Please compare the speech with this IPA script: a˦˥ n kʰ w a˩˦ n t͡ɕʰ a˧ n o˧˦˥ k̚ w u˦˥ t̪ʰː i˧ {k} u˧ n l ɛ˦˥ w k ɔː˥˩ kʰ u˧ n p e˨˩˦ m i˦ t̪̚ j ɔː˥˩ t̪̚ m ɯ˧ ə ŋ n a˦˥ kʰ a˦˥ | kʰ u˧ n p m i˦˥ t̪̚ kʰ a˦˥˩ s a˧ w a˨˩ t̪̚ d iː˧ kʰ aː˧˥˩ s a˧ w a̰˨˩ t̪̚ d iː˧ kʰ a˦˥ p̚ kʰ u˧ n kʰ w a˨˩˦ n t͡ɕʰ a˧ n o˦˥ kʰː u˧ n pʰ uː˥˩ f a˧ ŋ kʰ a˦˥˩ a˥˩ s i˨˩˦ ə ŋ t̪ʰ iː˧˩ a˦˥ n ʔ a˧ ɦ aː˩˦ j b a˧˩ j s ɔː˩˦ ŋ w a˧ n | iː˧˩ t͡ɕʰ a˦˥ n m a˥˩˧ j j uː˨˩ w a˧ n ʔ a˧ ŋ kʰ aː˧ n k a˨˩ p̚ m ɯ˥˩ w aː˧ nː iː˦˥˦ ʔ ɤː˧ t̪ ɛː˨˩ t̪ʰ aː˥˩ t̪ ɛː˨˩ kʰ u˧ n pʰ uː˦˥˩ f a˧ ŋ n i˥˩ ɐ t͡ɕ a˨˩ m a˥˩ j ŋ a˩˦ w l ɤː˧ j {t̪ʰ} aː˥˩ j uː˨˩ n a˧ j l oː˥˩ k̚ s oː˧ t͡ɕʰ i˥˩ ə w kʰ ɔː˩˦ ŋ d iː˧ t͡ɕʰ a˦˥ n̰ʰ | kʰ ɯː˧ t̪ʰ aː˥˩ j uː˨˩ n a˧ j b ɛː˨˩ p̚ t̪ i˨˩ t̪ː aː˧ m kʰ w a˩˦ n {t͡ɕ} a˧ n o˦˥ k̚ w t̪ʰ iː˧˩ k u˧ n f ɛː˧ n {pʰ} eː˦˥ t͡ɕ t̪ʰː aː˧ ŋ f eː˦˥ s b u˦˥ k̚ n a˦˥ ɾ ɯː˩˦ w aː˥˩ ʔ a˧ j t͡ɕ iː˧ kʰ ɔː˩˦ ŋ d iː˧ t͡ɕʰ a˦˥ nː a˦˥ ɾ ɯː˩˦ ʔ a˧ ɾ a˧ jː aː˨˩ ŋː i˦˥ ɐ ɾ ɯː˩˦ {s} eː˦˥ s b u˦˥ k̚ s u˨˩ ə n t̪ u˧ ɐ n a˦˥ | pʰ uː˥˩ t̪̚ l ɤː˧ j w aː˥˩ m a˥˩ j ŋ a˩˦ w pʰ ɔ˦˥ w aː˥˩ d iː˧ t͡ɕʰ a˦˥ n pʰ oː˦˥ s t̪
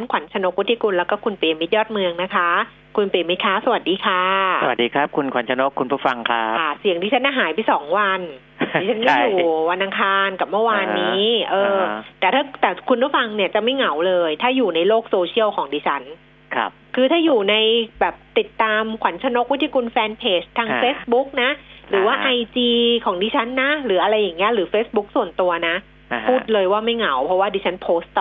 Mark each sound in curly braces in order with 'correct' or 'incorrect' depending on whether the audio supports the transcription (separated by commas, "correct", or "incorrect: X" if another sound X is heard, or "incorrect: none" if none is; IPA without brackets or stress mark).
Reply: correct, correct, incorrect: t͡ɕʰ, correct, incorrect: f